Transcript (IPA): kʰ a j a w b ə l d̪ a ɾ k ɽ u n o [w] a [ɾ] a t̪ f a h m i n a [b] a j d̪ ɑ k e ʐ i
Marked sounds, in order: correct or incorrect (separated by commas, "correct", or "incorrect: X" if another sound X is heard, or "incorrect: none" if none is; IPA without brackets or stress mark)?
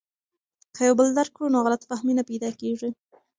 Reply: incorrect: ɣ, incorrect: l, incorrect: p